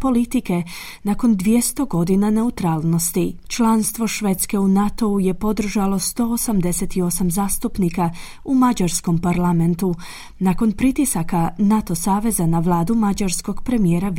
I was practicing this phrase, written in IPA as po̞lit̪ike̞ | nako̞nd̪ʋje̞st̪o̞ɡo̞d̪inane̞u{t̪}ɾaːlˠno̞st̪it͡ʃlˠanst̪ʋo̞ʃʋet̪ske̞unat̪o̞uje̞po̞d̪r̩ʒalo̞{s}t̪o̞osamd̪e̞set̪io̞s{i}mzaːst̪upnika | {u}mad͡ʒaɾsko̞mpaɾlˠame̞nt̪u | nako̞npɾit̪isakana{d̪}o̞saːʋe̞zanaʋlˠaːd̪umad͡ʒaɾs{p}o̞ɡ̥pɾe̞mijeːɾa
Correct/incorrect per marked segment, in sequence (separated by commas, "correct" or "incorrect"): correct, correct, incorrect, correct, incorrect, incorrect